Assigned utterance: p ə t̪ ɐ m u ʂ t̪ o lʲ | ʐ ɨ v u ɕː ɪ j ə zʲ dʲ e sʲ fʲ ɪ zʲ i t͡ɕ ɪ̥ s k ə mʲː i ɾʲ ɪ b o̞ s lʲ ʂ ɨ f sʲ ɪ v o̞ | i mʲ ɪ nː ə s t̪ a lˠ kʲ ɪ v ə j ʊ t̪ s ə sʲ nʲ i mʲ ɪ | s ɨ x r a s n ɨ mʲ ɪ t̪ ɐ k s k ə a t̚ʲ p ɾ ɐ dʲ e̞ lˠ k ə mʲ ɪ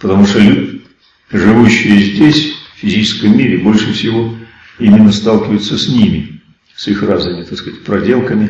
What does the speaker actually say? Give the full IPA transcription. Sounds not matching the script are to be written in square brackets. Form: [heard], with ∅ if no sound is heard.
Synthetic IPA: p ə t̪ ɐ m u ʂ t̪ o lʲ | ʐ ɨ v u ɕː ɪ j ə zʲ dʲ e sʲ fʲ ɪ zʲ i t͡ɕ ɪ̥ s k ə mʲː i ɾʲ ɪ b o̞ [∅] lʲ ʂ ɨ f sʲ ɪ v o̞ | i mʲ ɪ nː ə s t̪ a lˠ kʲ ɪ v ə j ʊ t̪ s ə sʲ nʲ i mʲ ɪ | s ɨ x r a [z] n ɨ mʲ ɪ t̪ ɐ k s k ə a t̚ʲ p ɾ ɐ dʲ e̞ lˠ k ə mʲ ɪ